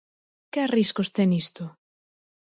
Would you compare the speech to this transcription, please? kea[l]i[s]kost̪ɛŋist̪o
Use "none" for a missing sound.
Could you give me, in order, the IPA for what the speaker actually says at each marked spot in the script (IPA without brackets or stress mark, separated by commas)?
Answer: r, s